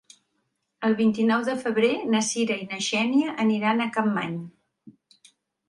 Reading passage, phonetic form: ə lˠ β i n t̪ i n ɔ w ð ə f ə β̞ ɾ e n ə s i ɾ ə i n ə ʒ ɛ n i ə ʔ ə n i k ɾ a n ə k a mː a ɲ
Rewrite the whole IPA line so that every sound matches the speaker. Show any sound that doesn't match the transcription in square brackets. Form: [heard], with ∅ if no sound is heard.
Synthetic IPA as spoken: ə lˠ β i n t̪ i n ɔ w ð ə f ə β̞ ɾ e n ə s i ɾ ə i n ə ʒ ɛ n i ə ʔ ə n i [∅] ɾ a n ə k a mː a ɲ